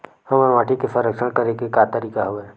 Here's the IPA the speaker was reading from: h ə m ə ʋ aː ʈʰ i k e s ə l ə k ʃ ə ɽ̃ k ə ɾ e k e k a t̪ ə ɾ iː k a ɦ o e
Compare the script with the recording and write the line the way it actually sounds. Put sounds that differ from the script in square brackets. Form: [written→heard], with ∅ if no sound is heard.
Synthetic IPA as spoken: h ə m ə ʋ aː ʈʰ i k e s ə [l→ɾ] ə k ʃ ə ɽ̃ k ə ɾ e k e k a t̪ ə ɾ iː k a ɦ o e